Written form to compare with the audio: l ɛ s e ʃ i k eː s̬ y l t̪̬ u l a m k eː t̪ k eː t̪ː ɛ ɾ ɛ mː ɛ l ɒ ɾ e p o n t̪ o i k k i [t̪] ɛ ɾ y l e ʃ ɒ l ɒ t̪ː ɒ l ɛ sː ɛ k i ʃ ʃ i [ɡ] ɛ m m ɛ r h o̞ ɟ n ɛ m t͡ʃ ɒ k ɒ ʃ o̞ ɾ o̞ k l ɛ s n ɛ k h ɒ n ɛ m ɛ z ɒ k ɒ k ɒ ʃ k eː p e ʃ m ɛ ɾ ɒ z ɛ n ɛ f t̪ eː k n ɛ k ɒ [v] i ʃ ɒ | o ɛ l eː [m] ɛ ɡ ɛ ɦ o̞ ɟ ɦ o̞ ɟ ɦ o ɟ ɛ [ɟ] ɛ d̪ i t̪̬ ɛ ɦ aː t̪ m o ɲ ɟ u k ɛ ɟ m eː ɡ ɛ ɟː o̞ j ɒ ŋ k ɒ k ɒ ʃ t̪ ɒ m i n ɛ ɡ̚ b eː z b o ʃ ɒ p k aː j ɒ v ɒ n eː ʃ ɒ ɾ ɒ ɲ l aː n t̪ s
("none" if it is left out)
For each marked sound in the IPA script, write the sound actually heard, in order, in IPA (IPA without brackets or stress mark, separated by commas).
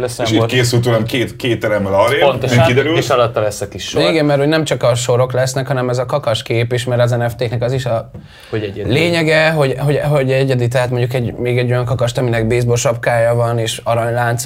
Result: d̪, ɡ, z, ɲ, ɟ